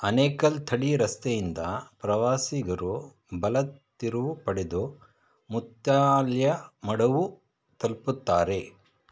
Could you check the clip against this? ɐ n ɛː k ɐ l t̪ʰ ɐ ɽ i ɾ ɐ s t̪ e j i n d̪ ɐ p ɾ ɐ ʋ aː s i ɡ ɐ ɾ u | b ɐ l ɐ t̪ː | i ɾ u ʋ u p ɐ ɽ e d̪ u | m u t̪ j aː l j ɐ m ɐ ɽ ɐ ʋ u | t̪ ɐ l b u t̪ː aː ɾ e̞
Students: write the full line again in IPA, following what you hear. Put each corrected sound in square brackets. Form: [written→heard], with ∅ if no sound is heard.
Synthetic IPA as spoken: ɐ n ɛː k ɐ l t̪ʰ ɐ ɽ i ɾ ɐ s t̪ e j i n d̪ ɐ p ɾ ɐ ʋ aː s i ɡ ɐ ɾ u | b ɐ l ɐ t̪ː | i ɾ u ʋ u p ɐ ɽ e d̪ u | m u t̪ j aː l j ɐ m ɐ ɽ ɐ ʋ u | t̪ ɐ l [b→p] u t̪ː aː ɾ e̞